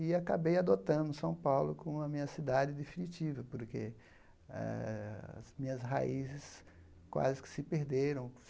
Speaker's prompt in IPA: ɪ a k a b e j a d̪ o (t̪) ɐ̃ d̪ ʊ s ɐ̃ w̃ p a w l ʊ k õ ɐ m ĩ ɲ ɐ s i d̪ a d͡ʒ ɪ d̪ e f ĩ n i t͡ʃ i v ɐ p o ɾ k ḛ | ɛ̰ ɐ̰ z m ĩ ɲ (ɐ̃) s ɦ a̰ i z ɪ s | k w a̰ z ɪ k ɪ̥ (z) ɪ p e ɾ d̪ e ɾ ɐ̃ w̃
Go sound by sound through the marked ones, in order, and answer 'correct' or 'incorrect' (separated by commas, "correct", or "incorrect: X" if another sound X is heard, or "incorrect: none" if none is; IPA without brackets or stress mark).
correct, incorrect: ɐ, incorrect: s